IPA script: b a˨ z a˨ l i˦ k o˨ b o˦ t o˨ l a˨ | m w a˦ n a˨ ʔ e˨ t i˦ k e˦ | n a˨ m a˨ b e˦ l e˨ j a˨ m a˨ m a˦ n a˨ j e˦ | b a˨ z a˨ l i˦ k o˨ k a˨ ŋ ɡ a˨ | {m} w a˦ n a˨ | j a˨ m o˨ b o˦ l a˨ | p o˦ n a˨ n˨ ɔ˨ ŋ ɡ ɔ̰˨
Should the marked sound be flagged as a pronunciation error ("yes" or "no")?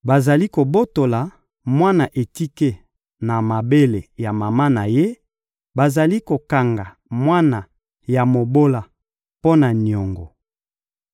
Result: no